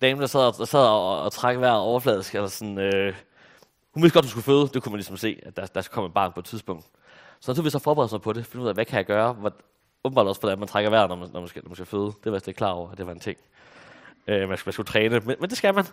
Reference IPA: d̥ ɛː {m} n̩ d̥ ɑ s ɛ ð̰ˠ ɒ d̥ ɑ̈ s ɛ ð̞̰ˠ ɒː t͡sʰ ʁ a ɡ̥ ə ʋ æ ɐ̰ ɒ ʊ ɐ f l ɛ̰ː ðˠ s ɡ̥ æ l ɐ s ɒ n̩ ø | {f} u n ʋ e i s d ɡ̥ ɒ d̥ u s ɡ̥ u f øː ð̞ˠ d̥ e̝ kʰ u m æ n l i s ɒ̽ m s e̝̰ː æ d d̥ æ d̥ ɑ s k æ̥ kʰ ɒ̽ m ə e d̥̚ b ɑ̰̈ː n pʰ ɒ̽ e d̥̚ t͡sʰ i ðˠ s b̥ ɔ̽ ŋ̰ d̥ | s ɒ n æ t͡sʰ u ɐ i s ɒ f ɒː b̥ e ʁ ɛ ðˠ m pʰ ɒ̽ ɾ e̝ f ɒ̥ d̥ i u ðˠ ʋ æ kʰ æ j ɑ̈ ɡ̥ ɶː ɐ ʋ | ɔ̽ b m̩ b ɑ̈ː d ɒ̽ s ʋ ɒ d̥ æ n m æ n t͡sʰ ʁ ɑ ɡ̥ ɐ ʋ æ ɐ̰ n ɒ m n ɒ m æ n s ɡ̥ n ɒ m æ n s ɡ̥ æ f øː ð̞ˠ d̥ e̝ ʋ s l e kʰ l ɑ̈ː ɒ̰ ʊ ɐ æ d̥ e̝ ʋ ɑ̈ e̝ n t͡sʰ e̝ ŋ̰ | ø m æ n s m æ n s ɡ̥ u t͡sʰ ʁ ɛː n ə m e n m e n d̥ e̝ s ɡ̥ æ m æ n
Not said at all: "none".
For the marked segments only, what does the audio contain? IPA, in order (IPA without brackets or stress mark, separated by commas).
m, h